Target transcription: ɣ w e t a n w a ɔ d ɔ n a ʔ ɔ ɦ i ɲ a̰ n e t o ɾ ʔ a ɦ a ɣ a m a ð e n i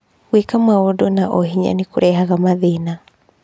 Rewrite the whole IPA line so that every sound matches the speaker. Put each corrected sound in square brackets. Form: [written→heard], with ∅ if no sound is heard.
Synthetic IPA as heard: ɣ w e [t→k] a [n→m] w a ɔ d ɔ n a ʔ ɔ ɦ i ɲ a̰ n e [t→k] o ɾ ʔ [a→ɛ] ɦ a ɣ a m a ð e n [i→a]